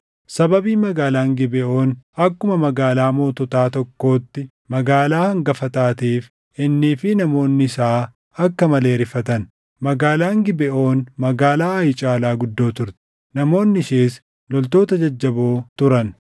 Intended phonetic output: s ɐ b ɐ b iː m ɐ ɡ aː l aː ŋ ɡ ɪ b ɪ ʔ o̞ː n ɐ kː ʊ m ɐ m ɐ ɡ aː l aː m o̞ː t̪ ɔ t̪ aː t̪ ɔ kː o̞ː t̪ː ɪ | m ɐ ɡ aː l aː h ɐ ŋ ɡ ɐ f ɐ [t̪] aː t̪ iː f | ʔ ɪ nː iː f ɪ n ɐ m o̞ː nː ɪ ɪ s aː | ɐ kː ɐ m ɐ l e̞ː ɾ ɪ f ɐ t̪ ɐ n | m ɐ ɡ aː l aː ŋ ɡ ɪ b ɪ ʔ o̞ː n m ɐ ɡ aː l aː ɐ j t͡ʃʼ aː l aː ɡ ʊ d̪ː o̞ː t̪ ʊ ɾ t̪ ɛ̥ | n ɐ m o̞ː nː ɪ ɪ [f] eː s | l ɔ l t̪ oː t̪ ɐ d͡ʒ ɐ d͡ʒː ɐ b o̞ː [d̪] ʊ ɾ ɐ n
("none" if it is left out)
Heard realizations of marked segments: t̪, ʃ, t̪

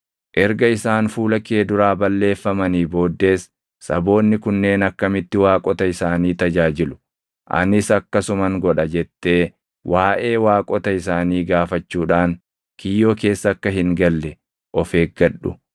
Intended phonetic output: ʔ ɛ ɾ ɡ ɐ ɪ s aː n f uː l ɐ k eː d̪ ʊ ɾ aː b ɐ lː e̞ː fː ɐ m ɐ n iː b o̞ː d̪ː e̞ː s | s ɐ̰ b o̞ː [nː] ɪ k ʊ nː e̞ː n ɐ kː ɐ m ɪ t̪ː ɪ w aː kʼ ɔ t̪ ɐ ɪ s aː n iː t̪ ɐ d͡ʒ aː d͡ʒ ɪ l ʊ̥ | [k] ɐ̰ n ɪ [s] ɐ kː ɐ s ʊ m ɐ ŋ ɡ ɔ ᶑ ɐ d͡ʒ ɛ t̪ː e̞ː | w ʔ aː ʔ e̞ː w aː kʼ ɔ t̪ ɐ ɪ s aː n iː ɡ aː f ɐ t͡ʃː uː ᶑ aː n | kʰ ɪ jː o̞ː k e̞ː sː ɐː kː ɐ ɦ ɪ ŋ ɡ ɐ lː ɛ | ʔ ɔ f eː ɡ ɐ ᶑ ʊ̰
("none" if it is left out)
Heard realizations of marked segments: nː, ʔ, s

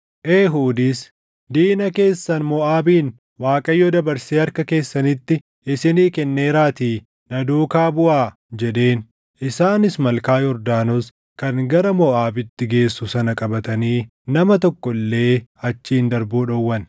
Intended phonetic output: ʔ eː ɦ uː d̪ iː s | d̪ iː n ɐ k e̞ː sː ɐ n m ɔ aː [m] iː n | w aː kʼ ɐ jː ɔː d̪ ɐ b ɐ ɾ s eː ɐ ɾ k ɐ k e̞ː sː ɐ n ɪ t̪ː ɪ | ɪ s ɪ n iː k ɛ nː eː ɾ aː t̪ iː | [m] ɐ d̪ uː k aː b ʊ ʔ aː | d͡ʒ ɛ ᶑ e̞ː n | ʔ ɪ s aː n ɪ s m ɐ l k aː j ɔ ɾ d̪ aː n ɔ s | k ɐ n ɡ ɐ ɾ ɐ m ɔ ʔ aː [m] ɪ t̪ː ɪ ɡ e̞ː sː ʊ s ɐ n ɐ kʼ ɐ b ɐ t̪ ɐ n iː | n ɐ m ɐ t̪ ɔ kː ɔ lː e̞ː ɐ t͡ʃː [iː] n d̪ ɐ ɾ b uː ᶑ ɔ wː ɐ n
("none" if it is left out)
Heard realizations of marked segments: b, n, b, iː

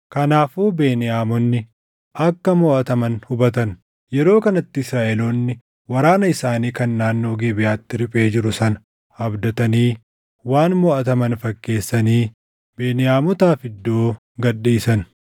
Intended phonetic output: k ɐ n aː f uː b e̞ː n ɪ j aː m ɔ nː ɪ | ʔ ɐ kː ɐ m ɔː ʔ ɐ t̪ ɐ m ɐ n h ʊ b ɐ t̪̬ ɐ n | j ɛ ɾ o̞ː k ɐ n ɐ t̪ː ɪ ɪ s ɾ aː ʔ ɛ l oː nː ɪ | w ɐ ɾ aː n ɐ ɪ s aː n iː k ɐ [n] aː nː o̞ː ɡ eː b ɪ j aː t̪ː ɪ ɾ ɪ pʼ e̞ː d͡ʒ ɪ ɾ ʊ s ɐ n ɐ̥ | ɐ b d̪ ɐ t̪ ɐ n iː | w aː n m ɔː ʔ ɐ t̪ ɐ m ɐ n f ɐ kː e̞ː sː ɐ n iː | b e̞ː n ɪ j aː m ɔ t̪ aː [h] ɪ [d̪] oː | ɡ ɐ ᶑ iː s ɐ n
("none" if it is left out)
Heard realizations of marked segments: nː, f, d̪ː

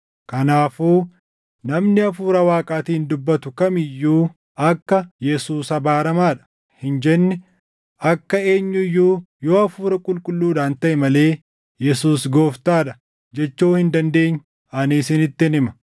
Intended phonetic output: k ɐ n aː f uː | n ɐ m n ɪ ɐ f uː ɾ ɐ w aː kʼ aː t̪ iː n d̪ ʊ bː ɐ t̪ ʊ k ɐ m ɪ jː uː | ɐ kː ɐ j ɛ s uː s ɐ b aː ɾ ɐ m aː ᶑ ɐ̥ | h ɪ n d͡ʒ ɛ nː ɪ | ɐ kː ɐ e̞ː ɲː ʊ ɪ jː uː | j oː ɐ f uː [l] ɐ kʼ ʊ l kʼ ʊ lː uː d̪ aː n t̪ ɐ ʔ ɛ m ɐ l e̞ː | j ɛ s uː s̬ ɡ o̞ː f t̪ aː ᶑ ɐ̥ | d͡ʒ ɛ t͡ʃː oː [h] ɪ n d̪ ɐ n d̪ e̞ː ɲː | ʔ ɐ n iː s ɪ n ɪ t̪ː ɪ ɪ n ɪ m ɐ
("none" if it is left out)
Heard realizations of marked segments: ɾ, h

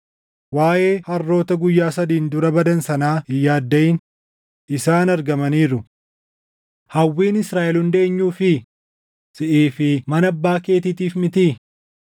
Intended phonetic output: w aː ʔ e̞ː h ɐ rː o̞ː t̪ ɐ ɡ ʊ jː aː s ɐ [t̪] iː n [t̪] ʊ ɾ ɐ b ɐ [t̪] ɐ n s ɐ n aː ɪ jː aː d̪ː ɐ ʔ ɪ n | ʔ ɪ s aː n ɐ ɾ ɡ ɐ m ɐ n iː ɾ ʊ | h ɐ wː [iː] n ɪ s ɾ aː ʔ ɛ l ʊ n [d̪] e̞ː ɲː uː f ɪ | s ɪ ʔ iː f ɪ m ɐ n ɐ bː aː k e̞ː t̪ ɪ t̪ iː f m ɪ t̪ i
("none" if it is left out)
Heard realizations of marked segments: d̪, d̪, d̪, iː, d̪

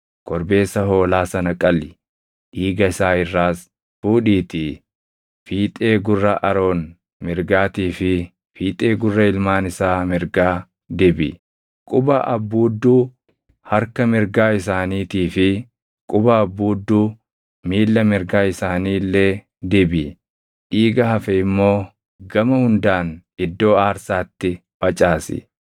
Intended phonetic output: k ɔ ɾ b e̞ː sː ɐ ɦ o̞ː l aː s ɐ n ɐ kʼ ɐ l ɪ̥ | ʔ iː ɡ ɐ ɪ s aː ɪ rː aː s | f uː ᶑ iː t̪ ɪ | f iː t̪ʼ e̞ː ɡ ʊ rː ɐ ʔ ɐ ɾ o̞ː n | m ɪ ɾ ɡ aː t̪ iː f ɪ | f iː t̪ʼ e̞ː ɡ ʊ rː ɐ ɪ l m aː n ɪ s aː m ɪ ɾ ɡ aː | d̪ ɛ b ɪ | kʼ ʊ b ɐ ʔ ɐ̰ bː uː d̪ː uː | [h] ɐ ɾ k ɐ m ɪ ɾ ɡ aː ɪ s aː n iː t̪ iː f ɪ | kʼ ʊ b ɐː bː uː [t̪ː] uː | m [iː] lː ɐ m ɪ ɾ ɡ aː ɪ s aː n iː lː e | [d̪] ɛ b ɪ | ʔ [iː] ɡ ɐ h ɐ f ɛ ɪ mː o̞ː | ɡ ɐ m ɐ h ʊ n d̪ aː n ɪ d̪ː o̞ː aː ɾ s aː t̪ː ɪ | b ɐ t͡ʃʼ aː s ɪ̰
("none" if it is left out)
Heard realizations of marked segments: h, d̪ː, iː, d̪, iː

